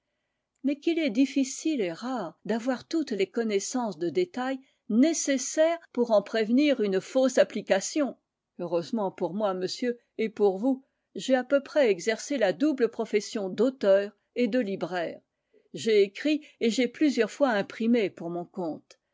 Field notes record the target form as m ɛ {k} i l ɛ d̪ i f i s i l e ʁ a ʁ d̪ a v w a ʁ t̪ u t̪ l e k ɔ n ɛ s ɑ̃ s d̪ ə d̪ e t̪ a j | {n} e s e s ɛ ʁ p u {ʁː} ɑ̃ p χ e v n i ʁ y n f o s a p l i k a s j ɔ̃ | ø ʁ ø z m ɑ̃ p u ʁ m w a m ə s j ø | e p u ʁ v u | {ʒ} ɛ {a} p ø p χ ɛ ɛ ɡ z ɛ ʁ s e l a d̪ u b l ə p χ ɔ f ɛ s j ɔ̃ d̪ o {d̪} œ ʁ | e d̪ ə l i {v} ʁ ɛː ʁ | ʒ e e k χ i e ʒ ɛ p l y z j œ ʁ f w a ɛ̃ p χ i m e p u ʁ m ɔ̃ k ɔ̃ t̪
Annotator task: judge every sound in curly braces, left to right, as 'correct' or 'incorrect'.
correct, correct, incorrect: ʁ, correct, correct, incorrect: t̪, incorrect: b

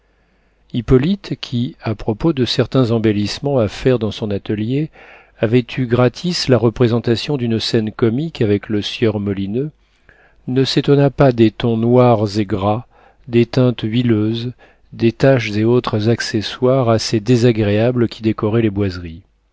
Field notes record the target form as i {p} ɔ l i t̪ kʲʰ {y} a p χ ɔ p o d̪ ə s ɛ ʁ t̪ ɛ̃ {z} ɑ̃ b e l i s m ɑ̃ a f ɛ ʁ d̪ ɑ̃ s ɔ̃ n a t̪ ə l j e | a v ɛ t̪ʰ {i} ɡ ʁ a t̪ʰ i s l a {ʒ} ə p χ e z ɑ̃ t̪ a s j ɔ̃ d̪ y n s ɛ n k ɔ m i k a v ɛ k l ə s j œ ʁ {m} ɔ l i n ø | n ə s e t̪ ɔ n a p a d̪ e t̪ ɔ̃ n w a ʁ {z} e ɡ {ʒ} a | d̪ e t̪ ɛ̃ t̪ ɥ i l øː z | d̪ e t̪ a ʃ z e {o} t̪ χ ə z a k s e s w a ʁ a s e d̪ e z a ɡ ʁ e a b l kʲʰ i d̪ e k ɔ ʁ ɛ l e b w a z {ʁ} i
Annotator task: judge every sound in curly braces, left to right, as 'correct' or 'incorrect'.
correct, incorrect: i, correct, incorrect: y, incorrect: ʁ, correct, correct, incorrect: ʁ, correct, correct

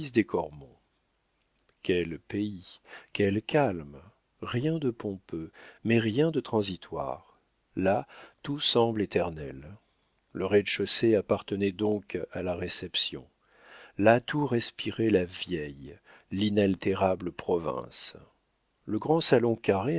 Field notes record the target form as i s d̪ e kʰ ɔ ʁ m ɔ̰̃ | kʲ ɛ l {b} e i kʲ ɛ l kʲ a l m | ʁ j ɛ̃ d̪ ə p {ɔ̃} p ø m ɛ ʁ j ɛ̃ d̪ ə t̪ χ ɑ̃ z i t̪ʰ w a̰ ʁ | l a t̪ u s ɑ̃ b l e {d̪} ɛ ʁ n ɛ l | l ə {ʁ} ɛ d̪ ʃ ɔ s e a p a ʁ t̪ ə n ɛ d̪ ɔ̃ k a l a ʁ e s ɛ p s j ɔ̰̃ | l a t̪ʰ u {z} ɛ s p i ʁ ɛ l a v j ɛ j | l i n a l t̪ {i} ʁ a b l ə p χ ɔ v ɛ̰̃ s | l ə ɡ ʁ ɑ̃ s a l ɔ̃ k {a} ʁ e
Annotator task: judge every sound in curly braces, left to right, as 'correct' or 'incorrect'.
incorrect: p, correct, incorrect: t̪, correct, incorrect: ʁ, incorrect: e, correct

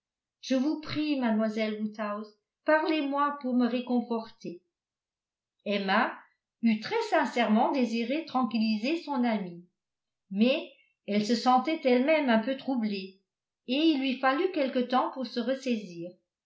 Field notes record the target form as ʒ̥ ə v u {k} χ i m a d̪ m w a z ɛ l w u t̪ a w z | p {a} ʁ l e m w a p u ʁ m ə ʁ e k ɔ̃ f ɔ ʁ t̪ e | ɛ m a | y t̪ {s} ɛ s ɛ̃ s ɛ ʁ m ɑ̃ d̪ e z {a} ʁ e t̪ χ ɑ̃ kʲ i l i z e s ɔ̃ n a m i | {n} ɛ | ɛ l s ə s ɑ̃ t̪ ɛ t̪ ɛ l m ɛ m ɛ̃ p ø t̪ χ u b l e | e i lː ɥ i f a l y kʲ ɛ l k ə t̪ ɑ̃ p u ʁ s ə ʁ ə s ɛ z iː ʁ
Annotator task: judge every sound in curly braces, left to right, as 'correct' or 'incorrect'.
incorrect: p, correct, incorrect: χ, incorrect: i, incorrect: m

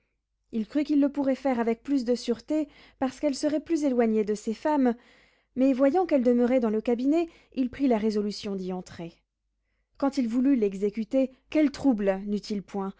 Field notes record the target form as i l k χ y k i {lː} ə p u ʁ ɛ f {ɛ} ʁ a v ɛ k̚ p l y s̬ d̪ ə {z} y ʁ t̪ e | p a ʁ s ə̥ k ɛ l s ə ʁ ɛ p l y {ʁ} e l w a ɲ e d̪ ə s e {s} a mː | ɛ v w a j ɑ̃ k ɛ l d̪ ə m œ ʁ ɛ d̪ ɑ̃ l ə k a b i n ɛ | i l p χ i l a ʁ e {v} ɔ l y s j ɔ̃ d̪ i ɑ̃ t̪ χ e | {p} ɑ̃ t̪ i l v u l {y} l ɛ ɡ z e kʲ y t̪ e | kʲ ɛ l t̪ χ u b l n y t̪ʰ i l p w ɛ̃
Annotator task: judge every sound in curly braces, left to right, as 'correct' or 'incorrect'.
correct, correct, incorrect: s, incorrect: z, incorrect: f, incorrect: z, incorrect: k, correct

